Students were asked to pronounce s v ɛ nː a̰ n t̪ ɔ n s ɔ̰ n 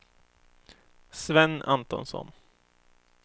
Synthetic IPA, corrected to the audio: s v ɛ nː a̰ n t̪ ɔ n s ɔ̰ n